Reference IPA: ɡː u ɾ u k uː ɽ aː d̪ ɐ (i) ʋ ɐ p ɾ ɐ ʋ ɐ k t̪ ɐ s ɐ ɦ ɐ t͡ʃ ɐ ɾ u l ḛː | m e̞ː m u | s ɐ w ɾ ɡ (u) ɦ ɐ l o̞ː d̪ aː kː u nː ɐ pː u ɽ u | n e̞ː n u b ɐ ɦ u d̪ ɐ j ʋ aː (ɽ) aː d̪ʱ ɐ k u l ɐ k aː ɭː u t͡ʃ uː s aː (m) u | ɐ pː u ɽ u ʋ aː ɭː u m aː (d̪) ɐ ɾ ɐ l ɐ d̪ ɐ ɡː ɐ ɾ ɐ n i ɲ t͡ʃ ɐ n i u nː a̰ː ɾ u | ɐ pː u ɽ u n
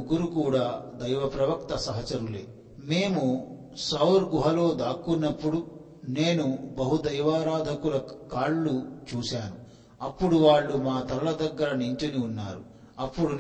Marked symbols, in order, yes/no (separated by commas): no, yes, no, no, no